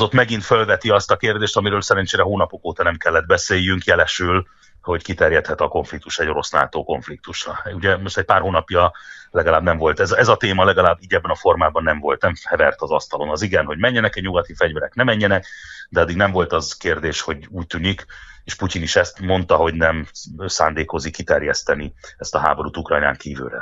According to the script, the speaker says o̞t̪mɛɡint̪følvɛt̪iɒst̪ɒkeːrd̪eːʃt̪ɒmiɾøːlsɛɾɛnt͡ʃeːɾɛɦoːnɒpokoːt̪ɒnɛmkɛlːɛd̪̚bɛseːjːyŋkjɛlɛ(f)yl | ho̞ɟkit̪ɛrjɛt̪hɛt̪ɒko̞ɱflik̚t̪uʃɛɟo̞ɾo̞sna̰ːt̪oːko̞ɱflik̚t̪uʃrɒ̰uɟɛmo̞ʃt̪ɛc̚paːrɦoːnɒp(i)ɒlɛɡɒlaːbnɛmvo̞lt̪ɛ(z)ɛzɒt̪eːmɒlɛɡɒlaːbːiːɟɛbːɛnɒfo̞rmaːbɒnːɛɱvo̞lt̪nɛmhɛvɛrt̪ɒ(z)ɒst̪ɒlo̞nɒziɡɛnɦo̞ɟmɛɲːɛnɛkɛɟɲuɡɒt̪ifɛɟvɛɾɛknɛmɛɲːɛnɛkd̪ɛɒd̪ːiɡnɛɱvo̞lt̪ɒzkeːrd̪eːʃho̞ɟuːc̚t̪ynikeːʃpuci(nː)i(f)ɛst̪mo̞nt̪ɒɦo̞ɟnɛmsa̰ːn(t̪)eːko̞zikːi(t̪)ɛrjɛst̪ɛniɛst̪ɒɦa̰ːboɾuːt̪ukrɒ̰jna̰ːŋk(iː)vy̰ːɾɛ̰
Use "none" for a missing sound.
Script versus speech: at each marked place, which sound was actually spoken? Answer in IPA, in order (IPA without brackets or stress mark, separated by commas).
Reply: ʃ, j, z, z, n, ʃ, d̪, t̪, iː